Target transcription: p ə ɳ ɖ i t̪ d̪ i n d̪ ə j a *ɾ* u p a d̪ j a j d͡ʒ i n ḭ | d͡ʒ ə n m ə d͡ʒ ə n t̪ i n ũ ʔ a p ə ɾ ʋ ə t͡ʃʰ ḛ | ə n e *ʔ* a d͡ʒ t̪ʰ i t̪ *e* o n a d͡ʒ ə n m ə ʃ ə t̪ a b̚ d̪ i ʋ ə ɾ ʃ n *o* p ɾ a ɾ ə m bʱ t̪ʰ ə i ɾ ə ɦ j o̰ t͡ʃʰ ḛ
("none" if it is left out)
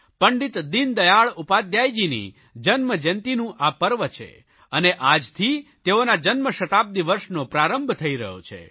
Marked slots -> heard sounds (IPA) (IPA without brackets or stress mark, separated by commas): ɭ, ʔ, e, o